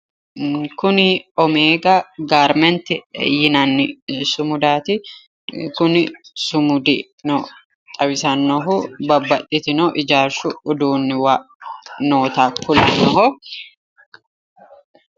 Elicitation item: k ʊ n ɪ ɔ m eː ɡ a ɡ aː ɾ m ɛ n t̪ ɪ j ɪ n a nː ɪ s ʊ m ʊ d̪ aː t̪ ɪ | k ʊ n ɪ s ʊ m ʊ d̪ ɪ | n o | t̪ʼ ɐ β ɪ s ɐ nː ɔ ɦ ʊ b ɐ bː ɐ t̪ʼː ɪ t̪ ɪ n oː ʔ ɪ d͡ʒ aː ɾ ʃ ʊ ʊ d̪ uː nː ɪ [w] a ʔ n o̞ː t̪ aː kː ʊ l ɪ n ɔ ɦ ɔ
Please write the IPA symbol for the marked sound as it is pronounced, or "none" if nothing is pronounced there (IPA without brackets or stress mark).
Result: w